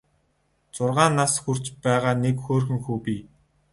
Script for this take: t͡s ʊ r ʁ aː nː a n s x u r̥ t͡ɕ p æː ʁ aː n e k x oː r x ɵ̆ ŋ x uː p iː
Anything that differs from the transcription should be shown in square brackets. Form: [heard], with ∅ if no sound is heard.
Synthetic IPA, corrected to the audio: t͡s ʊ r ʁ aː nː a [∅] s x u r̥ t͡ɕ p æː ʁ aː n e k x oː r x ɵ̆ ŋ x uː p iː

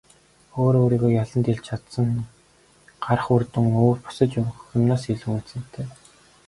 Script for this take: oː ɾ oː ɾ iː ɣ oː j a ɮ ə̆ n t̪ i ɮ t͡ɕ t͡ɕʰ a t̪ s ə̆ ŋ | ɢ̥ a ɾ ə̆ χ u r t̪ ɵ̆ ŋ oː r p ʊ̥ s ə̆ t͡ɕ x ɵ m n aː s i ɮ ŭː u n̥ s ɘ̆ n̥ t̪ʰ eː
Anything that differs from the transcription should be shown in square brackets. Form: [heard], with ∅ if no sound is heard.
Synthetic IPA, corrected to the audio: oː ɾ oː ɾ iː ɣ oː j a ɮ ə̆ n t̪ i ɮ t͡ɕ t͡ɕʰ a t̪ s ə̆ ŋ | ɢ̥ a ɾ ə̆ χ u r t̪ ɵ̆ ŋ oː r p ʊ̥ s ə̆ t͡ɕ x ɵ m n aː s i ɮ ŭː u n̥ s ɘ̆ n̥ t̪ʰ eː

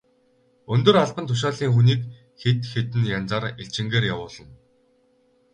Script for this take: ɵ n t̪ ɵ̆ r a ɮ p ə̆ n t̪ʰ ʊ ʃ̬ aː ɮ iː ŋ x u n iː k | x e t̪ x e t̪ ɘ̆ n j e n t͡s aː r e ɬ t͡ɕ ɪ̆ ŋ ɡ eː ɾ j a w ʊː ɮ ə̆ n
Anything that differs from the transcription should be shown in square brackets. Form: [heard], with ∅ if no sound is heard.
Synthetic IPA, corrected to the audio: ɵ n t̪ ɵ̆ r a ɮ p ə̆ n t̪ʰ ʊ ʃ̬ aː ɮ iː ŋ x u n iː k | x e t̪ x e t̪ ɘ̆ n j [a] n t͡s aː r e ɬ t͡ɕ ɪ̆ ŋ ɡ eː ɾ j a w ʊː ɮ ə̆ n

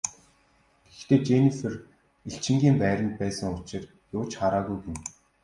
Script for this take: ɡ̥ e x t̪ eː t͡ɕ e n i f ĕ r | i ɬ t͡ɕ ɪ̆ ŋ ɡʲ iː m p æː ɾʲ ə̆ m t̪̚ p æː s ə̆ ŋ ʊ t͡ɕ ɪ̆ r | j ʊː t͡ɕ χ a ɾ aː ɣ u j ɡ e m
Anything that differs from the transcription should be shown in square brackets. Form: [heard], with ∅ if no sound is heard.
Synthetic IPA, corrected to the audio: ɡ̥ e x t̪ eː t͡ɕ e n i f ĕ r | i ɬ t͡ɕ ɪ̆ ŋ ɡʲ iː m p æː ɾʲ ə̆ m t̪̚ p æː s ə̆ ŋ ʊ t͡ɕ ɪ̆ r | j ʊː t͡ɕ χ a ɾ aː ɣ u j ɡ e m

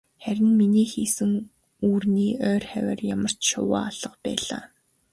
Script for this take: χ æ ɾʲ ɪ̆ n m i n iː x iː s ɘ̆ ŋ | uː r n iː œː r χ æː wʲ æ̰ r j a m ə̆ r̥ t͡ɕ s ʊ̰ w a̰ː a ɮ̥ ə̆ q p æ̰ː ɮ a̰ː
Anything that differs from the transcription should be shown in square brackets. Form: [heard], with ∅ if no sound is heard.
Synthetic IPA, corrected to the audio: χ æ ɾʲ ɪ̆ n m i n iː x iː s ɘ̆ ŋ | uː r n iː œː r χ [æ] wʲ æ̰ r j a m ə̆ r̥ t͡ɕ [ʃ] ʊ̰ w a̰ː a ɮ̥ ə̆ q p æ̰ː ɮ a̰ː

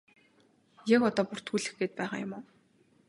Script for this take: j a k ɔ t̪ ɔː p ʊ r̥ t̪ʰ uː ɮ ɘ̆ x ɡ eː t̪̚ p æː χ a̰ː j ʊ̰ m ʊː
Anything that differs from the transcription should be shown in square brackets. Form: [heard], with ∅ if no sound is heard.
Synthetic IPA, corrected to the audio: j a k ɔ t̪ ɔː p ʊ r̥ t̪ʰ uː ɮ ɘ̆ x ɡ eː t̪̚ p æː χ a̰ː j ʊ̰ m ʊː

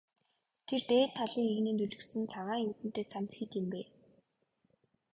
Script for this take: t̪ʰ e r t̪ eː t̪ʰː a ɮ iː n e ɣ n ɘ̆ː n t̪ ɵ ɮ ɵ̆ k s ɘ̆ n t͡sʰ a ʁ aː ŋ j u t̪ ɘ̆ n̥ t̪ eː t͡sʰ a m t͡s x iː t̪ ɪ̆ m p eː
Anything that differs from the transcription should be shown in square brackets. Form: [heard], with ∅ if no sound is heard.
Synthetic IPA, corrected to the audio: t̪ʰ e r t̪ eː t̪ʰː a ɮ iː [ŋ] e ɣ n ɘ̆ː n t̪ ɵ ɮ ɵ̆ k s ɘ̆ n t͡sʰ a ʁ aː ŋ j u t̪ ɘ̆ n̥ t̪ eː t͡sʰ a m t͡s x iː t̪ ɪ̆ m p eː

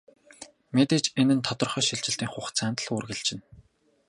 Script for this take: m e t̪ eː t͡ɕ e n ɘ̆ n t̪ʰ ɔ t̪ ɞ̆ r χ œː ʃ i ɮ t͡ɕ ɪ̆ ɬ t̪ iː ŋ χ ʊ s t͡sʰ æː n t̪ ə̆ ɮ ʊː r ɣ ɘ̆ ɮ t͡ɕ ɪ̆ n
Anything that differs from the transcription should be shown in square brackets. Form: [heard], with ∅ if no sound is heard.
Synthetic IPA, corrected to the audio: m e t̪ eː t͡ɕ e n ɘ̆ n t̪ʰ ɔ t̪ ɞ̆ r χ œː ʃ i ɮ t͡ɕ ɪ̆ ɬ t̪ iː ŋ χ ʊ [χ] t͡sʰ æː n t̪ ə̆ ɮ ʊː r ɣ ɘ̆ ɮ t͡ɕ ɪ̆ n

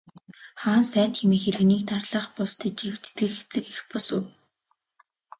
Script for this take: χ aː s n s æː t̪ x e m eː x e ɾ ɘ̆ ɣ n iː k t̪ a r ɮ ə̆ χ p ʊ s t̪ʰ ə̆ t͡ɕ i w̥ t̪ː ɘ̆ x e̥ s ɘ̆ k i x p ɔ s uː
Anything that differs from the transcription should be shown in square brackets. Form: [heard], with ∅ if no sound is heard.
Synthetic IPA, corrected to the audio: χ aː [∅] n s æː t̪ x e m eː x e ɾ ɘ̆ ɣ n iː k t̪ a r ɮ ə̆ χ p ʊ s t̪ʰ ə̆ t͡ɕ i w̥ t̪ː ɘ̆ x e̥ [t͡s] ɘ̆ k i x p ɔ s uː

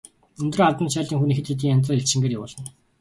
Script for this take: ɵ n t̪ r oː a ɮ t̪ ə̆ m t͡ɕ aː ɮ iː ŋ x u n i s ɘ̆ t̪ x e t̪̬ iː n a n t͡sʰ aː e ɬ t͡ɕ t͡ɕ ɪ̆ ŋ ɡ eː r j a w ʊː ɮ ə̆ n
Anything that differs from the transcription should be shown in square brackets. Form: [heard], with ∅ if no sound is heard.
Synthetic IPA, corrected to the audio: ɵ n t̪ r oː a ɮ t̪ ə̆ [n] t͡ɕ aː ɮ iː ŋ x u n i [x] ɘ̆ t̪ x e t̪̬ iː [ŋ] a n [t͡s] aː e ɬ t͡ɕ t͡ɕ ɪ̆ ŋ ɡ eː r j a w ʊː ɮ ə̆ n

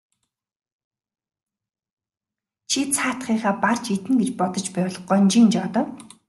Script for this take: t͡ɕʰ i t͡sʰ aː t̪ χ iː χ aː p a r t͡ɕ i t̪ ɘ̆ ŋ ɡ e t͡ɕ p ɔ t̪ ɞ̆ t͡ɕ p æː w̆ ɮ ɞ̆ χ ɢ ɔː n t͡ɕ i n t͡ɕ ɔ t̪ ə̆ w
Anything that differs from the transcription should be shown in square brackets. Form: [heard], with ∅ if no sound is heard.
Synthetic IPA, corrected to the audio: t͡ɕʰ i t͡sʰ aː t̪ χ iː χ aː p a r t͡ɕ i t̪ ɘ̆ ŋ ɡ e t͡ɕ p ɔ t̪ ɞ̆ t͡ɕ p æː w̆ ɮ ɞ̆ χ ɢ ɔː n t͡ɕ i n t͡ɕ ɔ t̪ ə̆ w

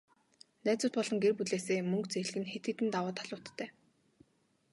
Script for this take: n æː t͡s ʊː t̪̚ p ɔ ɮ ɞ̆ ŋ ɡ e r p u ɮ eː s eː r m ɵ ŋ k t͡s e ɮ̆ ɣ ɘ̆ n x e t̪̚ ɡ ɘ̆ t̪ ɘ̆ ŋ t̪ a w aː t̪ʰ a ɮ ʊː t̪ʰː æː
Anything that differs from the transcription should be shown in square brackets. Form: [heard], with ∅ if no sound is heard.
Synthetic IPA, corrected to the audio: n æː t͡s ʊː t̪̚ p ɔ ɮ ɞ̆ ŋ ɡ e r p u ɮ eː s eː [∅] m ɵ ŋ k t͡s e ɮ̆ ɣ ɘ̆ n x e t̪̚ ɡ ɘ̆ t̪ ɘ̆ [n] t̪ a w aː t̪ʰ a ɮ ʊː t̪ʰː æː

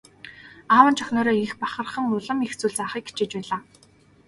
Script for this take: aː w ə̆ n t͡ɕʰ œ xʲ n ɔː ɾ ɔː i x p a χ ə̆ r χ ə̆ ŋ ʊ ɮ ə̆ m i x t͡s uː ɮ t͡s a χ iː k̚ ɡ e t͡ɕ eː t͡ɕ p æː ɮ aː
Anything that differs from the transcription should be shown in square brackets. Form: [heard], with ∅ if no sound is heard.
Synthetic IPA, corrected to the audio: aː w ə̆ n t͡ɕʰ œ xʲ n ɔː ɾ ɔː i x p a χ ə̆ r χ ə̆ ŋ ʊ ɮ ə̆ m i x t͡s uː ɮ t͡s a χ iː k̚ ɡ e t͡ɕ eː t͡ɕ p æː ɮ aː

